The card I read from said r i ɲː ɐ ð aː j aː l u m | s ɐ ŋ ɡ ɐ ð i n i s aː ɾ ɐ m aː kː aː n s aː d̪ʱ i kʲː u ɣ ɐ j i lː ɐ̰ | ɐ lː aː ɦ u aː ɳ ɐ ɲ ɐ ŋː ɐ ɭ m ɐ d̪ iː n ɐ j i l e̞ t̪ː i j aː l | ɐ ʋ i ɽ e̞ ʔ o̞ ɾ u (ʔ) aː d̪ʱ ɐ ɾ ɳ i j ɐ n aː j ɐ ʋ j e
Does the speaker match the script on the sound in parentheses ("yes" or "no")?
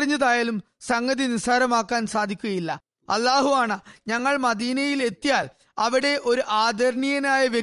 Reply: yes